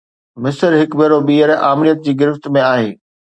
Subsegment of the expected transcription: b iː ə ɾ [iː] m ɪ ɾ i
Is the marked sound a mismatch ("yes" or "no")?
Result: yes